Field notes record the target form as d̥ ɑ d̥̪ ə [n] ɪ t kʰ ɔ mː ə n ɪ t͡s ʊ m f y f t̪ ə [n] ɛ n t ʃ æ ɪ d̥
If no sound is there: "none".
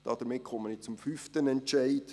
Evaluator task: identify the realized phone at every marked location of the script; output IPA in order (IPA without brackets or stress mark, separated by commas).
m, n